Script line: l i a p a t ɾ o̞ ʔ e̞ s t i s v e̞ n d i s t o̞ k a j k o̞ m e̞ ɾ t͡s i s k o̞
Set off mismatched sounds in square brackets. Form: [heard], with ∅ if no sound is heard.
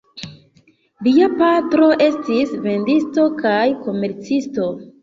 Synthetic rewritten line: l i a p a t ɾ o̞ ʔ e̞ s t i s v e̞ n d i s t o̞ k a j k o̞ m e̞ ɾ t͡s i s [t] o̞